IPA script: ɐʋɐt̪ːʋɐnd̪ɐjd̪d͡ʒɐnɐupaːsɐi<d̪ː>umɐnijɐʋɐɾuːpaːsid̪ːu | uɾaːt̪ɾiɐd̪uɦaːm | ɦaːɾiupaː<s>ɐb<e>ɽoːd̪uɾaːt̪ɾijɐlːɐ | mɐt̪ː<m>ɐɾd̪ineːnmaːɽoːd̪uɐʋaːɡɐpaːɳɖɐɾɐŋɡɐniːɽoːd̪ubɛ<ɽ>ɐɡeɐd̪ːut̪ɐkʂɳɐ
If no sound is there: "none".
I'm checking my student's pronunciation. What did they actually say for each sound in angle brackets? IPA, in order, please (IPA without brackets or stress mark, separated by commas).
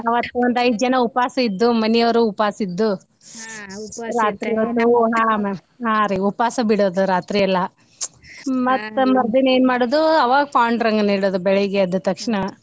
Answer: d̪ː, s, i, m, ɭ